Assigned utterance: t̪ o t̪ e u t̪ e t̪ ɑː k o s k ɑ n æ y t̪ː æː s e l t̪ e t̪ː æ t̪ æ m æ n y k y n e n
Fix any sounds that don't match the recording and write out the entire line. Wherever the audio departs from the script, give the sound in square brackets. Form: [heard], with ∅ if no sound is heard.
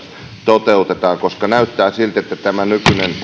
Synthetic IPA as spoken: t̪ o t̪ e u t̪ e t̪ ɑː k o s k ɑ n æ y t̪ː æː s [i] l t̪ e t̪ː æ t̪ æ m æ n y k y n e n